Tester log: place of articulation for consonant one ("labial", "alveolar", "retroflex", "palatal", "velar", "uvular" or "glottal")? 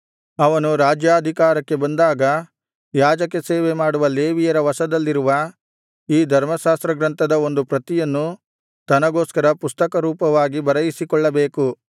labial